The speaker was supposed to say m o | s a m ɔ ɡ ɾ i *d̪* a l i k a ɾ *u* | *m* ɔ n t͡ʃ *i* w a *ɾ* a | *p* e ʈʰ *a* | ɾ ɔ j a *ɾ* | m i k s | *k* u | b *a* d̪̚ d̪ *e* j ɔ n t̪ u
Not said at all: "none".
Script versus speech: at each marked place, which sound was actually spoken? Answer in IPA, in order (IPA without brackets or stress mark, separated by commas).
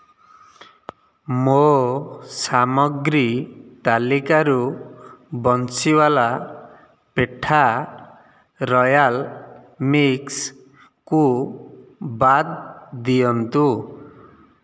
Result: t̪, u, b, i, l, p, a, l, k, a, i